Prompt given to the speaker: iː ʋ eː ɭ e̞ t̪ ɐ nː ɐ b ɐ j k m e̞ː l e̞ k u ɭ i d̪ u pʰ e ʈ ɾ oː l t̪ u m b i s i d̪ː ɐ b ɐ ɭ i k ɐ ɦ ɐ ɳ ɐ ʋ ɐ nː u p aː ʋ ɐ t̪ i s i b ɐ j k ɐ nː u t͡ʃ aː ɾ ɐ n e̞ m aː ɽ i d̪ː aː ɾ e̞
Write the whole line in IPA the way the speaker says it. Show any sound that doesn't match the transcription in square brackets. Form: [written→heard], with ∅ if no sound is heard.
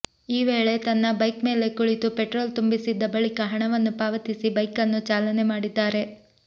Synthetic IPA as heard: iː ʋ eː ɭ e̞ t̪ ɐ nː ɐ b ɐ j k m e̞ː l e̞ k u ɭ i [d̪→t̪] u [pʰ→p] e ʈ ɾ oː l t̪ u m b i s i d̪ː ɐ b ɐ ɭ i k ɐ ɦ ɐ ɳ ɐ ʋ ɐ nː u p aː ʋ ɐ t̪ i s i b ɐ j k ɐ nː u t͡ʃ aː [ɾ→l] ɐ n e̞ m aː ɽ i d̪ː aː ɾ e̞